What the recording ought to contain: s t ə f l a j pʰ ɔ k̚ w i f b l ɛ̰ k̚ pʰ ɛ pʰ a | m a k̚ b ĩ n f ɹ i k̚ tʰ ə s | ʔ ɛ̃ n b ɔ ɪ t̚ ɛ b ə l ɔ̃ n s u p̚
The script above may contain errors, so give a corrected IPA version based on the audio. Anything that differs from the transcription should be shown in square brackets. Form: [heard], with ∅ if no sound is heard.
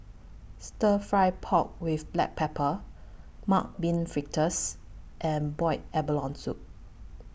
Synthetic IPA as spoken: s t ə f [ɹ] a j pʰ ɔ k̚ w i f b l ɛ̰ k̚ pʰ ɛ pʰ [ə] | m a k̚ b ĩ n f ɹ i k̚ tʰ ə s | ʔ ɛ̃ n b ɔ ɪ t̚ ɛ b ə l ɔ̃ n s u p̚